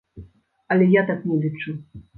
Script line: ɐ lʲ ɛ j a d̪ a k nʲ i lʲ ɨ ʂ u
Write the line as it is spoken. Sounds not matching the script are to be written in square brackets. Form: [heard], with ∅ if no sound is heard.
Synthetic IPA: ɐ lʲ ɛ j a [t̪] a k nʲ [ɛ] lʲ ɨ [t͡ʂ] u